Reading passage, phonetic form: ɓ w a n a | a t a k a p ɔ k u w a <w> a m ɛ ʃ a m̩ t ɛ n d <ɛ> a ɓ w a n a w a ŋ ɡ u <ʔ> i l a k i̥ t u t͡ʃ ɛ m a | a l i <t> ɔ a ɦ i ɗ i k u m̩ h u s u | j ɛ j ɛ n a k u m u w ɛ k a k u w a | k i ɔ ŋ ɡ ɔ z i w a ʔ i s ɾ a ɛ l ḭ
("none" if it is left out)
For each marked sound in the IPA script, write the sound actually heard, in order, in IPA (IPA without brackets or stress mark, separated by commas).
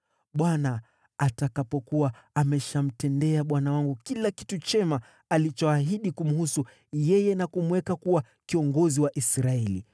none, ɛ, k, t͡ʃ